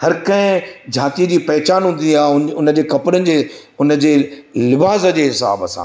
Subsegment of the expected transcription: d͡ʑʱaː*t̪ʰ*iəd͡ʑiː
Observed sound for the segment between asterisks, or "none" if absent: t̪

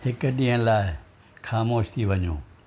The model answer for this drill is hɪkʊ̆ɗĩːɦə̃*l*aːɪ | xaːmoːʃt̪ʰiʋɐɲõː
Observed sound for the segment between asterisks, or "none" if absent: l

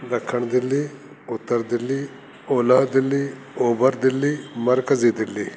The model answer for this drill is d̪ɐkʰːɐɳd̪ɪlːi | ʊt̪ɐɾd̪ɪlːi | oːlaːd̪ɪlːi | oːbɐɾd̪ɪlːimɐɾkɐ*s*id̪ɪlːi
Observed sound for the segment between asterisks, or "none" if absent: z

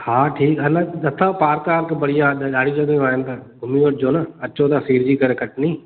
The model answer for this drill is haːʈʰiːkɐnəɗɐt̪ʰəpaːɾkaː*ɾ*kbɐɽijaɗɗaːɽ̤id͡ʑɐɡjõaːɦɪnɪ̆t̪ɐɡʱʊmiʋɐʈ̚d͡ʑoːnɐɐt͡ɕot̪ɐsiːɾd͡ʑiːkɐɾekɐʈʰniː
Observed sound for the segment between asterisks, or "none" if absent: ɾ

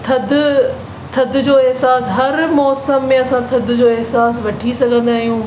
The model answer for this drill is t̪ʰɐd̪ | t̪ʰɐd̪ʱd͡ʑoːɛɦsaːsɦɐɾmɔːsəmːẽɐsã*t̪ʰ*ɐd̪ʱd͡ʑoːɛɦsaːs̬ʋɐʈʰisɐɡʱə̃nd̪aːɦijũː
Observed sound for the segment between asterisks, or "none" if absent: t̪ʰ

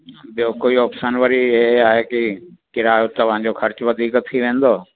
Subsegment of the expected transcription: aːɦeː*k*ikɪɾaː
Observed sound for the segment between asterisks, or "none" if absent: k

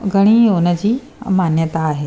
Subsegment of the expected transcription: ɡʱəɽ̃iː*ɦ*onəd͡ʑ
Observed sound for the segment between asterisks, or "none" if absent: none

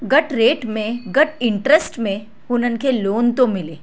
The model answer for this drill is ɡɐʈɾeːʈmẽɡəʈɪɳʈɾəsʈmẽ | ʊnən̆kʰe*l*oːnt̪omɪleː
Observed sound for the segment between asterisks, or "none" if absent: l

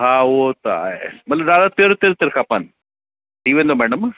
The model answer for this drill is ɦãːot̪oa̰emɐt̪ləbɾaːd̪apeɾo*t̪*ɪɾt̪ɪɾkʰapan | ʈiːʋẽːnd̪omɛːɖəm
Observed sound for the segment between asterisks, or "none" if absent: t̪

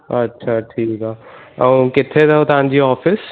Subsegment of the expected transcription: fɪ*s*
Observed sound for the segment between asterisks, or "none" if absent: s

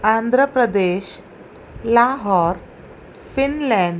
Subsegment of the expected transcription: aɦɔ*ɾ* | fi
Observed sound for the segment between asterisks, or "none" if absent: ɾ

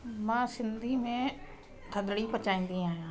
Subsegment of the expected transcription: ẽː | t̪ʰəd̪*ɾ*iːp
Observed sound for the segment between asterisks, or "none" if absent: ɽ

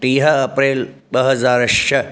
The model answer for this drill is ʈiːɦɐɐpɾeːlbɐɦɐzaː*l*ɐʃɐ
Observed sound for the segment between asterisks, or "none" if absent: ɾ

